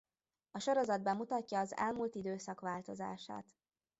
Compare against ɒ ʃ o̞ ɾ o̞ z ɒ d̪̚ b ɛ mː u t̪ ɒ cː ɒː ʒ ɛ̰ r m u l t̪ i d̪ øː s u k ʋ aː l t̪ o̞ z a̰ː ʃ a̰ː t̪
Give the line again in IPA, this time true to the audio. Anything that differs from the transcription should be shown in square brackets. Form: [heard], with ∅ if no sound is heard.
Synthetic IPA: ɒ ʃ o̞ ɾ o̞ z ɒ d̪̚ b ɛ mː u t̪ ɒ cː ɒː [z] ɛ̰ [l] m u l t̪ i d̪ øː s [ɒ] k ʋ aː l t̪ o̞ z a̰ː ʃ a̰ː t̪

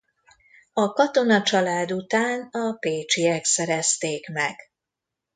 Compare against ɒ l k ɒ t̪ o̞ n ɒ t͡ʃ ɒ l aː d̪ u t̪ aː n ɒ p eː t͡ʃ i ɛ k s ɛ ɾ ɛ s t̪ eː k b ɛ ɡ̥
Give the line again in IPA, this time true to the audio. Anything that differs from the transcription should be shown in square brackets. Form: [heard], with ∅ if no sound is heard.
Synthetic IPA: ɒ [∅] k ɒ t̪ o̞ n ɒ t͡ʃ ɒ l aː d̪ u t̪ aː n ɒ p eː t͡ʃ i ɛ k s ɛ ɾ ɛ s t̪ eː k [m] ɛ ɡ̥

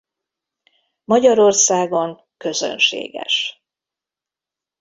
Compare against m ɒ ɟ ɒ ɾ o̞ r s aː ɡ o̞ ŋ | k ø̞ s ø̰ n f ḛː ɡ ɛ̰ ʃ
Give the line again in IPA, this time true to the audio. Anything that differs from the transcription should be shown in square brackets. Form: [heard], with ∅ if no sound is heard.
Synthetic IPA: m ɒ ɟ ɒ ɾ o̞ r s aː ɡ o̞ ŋ | k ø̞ [z] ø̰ n [ʃ] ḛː ɡ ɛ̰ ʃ

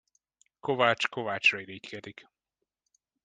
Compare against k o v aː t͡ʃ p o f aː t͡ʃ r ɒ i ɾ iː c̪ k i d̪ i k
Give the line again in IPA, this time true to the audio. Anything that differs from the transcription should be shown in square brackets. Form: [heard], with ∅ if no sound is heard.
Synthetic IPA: k o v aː t͡ʃ [k] o [v] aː t͡ʃ r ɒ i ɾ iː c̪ k [ɛ] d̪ i k

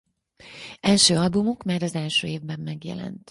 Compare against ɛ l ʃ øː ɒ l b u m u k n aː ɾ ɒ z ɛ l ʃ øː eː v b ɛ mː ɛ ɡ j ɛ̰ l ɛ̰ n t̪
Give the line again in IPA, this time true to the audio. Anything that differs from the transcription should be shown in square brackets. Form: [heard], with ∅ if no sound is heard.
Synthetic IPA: ɛ l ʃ øː ɒ l b u m u k [m] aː ɾ ɒ z ɛ l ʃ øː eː v b ɛ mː ɛ ɡ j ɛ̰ l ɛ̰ n t̪

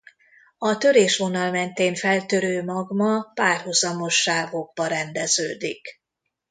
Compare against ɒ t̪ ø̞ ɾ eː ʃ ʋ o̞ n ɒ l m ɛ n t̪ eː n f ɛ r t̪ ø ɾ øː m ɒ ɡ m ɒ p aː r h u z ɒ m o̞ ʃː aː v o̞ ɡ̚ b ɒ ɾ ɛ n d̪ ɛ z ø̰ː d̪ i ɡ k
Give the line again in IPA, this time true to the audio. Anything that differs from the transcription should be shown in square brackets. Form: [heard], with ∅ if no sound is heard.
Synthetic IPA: ɒ t̪ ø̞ ɾ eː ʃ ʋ o̞ n ɒ l m ɛ n t̪ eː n f ɛ [l] t̪ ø ɾ øː m ɒ ɡ m ɒ p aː r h u z ɒ m o̞ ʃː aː v o̞ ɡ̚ b ɒ ɾ ɛ n d̪ ɛ z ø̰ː d̪ i [∅] k

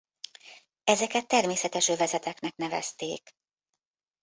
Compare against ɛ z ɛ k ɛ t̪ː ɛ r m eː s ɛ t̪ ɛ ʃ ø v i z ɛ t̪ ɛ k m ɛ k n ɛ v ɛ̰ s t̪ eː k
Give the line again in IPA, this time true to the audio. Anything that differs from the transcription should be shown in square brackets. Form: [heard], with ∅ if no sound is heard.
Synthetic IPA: ɛ z ɛ k ɛ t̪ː ɛ r m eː s ɛ t̪ ɛ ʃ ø v [ɛ] z ɛ t̪ ɛ k [n] ɛ k n ɛ v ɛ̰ s t̪ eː k

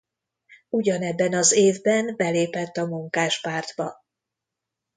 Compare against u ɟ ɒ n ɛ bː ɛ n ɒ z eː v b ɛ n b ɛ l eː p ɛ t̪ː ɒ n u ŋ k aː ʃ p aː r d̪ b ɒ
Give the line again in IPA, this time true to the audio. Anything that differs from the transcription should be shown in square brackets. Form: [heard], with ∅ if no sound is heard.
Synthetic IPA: u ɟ ɒ n ɛ bː ɛ n ɒ z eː v b ɛ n b ɛ l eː p ɛ t̪ː ɒ [m] u ŋ k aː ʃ p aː r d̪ b ɒ

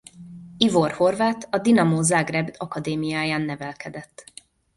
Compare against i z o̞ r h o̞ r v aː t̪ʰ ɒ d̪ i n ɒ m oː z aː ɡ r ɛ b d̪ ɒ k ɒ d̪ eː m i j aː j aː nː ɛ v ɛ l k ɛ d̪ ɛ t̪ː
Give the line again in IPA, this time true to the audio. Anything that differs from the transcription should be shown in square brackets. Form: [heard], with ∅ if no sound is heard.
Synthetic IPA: i [v] o̞ r h o̞ r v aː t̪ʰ ɒ d̪ i n ɒ m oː z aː ɡ r ɛ b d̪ ɒ k ɒ d̪ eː m i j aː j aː nː ɛ v ɛ l k ɛ d̪ ɛ t̪ː

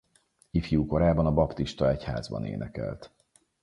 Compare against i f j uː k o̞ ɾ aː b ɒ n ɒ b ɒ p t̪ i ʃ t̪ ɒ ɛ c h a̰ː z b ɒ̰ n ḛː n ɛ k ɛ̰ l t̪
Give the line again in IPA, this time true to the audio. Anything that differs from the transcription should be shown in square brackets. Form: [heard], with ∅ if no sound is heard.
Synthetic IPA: i f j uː k o̞ ɾ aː b ɒ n ɒ b ɒ p t̪ i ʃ t̪ ɒ ɛ c h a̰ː z b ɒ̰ n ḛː n ɛ k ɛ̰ l t̪

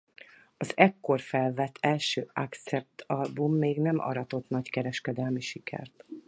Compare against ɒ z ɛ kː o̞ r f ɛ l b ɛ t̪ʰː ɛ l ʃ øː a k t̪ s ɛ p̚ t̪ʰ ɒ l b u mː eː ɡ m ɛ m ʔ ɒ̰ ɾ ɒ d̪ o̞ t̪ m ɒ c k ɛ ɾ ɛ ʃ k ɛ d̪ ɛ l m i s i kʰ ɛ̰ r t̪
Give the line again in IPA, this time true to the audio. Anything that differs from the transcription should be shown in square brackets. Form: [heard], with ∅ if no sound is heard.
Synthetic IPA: ɒ z ɛ kː o̞ r f ɛ l [v] ɛ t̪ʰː ɛ l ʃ øː a k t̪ s ɛ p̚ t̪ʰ ɒ l b u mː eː ɡ [n] ɛ m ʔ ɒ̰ ɾ ɒ [t̪] o̞ t̪ [n] ɒ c k ɛ ɾ ɛ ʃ k ɛ d̪ ɛ l m i [ʃ] i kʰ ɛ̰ r t̪

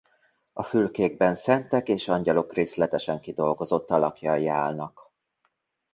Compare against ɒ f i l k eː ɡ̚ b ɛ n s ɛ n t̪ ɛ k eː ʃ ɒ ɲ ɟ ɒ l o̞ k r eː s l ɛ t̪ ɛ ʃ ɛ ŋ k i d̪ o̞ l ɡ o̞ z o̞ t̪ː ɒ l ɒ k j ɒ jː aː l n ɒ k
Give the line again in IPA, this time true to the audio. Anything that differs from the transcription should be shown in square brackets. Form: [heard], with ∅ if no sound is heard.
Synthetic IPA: ɒ f [y] l k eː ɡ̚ b ɛ n s ɛ n t̪ ɛ k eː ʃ ɒ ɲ ɟ ɒ l o̞ k r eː s l ɛ t̪ ɛ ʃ ɛ ŋ k i d̪ o̞ l ɡ o̞ z o̞ t̪ː ɒ l ɒ k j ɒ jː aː l n ɒ k

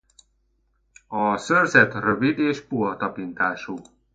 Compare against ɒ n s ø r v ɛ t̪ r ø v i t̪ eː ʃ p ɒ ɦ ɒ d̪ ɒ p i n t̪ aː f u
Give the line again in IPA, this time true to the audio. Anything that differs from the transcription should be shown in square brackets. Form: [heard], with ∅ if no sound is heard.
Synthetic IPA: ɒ [∅] s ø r [z] ɛ t̪ r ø v i [d̪] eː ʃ p [u] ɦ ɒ [t̪] ɒ p i n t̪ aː [ʃ] u

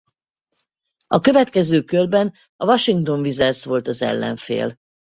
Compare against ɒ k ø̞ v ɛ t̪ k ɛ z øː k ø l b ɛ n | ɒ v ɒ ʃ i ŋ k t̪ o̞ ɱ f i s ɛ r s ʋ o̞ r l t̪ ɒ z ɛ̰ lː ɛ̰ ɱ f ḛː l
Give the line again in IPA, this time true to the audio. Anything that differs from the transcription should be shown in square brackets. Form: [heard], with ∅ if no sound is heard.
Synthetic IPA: ɒ k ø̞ v ɛ t̪ k ɛ z øː k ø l b ɛ n | ɒ v ɒ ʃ i ŋ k t̪ o̞ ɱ [v] i [z] ɛ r s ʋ o̞ [∅] l t̪ ɒ z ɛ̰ lː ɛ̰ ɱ f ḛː l

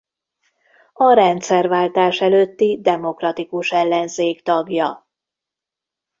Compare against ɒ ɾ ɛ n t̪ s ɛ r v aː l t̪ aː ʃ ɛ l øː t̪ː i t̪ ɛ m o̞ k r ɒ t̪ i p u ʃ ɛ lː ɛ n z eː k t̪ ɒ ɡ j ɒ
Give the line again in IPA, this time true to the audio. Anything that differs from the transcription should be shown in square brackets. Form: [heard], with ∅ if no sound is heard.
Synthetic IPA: ɒ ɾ ɛ n t̪ s ɛ r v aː l t̪ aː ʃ ɛ l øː t̪ː i [d̪] ɛ m o̞ k r ɒ t̪ i [k] u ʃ ɛ lː ɛ n z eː k t̪ ɒ ɡ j ɒ

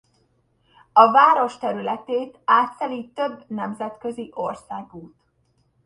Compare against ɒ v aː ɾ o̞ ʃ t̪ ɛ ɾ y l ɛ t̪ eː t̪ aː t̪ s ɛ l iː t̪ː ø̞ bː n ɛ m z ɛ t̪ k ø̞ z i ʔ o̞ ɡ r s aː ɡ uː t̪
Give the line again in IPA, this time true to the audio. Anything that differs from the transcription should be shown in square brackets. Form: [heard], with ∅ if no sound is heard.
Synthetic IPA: ɒ v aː ɾ o̞ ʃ t̪ ɛ ɾ y l ɛ t̪ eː t̪ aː t̪ s ɛ l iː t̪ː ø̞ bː n ɛ m z ɛ t̪ k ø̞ z i ʔ o̞ [∅] r s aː ɡ uː t̪

